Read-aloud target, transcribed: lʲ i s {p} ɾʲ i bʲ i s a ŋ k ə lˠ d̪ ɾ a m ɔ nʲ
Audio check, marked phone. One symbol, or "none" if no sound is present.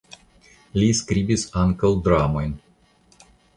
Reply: k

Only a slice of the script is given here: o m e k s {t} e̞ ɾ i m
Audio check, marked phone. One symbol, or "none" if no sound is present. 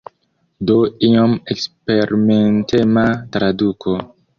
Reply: p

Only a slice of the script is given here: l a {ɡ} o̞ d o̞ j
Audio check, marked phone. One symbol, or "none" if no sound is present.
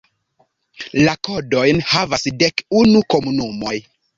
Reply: k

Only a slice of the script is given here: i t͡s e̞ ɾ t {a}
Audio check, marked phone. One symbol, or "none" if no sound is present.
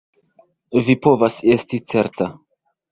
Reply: a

